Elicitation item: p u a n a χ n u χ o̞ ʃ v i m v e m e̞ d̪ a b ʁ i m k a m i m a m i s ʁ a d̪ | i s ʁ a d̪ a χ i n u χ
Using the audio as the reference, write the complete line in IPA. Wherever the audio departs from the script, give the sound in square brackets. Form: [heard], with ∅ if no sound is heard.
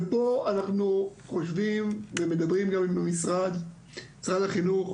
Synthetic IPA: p [o] a n a χ n u χ o̞ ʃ v i m v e m e̞ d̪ a b ʁ i m [ɡ] a m i m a m i s ʁ a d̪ | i s ʁ a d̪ a χ i n u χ

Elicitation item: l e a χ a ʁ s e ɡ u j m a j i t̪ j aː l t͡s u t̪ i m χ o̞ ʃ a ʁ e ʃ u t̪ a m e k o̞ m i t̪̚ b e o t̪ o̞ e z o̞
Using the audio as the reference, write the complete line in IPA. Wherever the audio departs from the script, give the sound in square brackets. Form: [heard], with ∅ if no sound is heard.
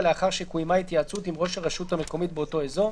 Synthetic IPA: l e a χ a ʁ [ʃ] e [k] u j m a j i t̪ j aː [∅] t͡s u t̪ i m [ʁ] o̞ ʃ a ʁ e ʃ u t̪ a m e k o̞ m i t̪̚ b e o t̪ o̞ e z o̞

